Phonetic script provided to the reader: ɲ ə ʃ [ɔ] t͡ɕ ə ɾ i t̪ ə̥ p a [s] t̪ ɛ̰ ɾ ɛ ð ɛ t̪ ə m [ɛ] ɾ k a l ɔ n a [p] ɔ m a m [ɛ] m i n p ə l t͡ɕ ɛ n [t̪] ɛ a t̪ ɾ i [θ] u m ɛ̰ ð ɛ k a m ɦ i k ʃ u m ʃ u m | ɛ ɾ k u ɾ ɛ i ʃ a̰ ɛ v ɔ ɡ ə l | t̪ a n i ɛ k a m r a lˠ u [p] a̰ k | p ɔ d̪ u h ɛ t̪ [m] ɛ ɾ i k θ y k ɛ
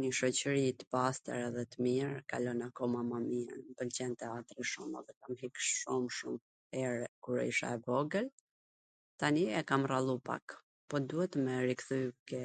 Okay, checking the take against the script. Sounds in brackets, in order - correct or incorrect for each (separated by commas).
correct, correct, incorrect, incorrect, incorrect, correct, incorrect, correct, correct